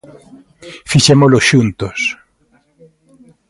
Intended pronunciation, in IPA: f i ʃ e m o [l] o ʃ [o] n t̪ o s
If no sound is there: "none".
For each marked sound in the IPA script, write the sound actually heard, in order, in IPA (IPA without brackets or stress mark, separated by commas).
l, u